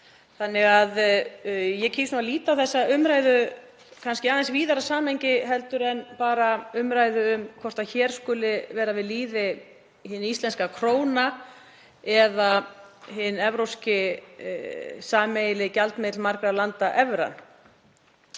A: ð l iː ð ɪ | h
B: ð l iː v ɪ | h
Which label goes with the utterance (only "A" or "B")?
A